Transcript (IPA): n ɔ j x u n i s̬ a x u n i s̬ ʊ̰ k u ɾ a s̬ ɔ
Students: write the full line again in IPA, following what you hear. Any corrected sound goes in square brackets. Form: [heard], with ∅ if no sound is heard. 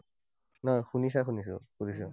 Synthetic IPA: n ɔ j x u n i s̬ a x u n i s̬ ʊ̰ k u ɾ [i] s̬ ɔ